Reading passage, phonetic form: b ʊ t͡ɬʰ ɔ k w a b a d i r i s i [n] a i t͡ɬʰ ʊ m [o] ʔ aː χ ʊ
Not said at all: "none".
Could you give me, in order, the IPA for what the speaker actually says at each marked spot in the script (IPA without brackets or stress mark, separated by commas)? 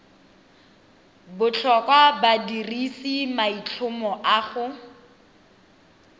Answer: m, ɔ